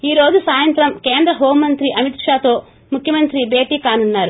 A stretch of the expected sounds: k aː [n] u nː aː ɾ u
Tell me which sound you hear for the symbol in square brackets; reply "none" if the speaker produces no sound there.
n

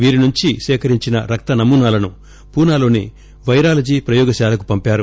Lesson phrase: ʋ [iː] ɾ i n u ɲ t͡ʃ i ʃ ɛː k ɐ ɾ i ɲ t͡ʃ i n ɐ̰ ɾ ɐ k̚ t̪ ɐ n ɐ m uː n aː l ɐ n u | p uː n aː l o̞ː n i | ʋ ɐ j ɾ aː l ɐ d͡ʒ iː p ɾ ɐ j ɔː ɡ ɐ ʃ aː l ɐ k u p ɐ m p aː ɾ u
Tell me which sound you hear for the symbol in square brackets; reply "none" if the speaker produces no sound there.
iː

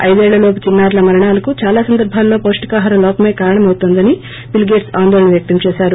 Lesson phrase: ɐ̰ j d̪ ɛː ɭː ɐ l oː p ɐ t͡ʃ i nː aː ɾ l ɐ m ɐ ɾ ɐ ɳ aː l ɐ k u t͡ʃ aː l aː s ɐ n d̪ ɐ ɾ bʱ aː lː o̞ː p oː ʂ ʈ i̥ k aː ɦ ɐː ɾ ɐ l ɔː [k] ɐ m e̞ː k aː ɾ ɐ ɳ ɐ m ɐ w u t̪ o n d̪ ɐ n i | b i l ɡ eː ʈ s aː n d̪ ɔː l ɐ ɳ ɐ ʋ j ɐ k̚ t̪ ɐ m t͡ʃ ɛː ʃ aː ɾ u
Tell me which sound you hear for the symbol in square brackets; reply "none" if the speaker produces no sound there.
p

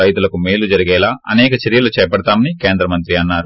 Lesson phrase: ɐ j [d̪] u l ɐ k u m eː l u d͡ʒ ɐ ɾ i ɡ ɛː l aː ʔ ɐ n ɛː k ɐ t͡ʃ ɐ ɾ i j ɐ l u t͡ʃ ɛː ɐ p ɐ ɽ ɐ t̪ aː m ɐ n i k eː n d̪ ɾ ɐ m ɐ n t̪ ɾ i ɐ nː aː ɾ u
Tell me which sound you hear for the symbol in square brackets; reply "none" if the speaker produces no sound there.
t̪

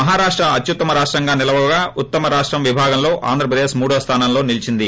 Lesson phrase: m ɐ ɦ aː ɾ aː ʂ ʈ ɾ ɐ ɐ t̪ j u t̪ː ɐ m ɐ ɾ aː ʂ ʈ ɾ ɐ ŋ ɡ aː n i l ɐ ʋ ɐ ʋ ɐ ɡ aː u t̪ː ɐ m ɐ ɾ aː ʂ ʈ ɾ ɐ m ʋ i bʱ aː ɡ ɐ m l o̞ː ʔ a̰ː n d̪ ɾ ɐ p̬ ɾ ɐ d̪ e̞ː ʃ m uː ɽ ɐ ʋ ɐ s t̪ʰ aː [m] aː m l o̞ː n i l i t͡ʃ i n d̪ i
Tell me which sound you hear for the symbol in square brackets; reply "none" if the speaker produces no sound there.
n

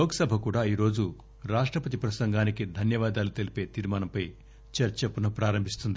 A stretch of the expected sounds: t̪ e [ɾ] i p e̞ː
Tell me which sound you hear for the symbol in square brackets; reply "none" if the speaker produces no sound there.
l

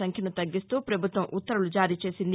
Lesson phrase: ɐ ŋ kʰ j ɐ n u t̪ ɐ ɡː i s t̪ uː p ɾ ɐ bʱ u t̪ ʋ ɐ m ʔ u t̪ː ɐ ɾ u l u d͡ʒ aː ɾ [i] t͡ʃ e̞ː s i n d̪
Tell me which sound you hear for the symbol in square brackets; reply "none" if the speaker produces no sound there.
iː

